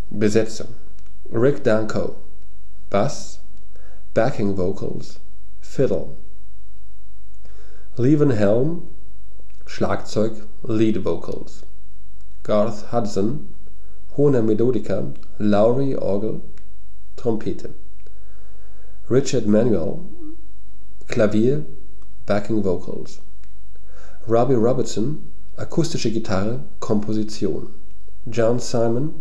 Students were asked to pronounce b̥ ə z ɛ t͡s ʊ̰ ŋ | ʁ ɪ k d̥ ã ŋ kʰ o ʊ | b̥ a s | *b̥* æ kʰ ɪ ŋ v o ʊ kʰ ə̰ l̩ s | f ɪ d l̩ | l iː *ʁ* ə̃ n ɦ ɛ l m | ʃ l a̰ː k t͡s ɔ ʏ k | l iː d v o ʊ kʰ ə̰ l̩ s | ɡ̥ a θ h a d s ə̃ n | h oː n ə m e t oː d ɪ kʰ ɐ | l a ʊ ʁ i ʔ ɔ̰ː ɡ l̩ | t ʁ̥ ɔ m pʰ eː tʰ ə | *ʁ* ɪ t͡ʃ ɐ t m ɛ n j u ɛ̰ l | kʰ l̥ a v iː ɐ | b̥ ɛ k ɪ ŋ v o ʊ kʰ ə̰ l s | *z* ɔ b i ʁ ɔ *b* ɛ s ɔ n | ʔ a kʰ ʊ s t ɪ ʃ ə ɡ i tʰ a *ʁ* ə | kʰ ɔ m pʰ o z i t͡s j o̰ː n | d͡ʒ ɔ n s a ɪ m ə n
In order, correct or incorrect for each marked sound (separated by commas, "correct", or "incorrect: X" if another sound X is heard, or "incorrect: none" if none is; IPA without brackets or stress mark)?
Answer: correct, incorrect: v, correct, incorrect: ʁ, correct, correct